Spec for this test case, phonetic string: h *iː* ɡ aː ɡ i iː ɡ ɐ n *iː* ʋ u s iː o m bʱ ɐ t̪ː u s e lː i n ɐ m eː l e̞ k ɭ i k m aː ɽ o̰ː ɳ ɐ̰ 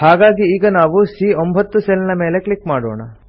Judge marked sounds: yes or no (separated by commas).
no, no